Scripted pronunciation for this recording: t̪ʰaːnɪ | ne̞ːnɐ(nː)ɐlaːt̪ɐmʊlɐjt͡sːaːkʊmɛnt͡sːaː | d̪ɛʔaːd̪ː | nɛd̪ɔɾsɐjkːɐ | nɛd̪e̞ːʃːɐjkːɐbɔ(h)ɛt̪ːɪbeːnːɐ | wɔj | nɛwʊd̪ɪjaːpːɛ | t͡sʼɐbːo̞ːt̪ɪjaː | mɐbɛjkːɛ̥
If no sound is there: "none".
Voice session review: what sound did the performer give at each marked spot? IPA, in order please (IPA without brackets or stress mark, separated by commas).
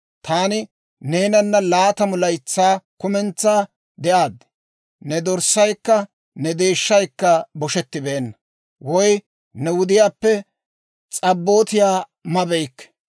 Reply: nː, ʃ